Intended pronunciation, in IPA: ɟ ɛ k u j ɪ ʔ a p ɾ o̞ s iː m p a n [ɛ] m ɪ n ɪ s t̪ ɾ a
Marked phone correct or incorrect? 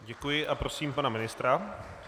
incorrect: a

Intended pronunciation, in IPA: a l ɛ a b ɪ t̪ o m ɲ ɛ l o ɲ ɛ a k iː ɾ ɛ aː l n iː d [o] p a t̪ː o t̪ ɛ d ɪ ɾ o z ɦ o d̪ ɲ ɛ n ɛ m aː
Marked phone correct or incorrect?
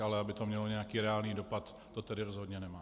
correct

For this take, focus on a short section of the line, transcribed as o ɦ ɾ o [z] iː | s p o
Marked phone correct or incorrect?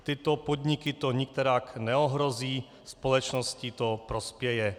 correct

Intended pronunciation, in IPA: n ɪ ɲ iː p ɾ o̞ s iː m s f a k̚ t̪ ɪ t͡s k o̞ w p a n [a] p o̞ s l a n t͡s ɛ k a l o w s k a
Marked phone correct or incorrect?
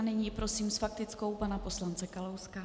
correct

